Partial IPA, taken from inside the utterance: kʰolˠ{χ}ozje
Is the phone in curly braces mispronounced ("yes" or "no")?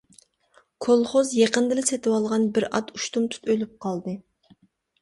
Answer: no